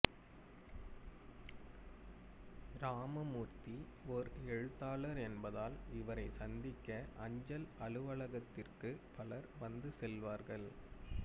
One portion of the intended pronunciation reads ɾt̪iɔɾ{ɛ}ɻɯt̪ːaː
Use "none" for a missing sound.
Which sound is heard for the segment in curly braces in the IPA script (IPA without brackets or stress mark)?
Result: ɛ